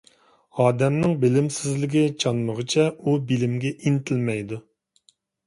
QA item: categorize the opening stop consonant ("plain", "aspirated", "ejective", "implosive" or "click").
plain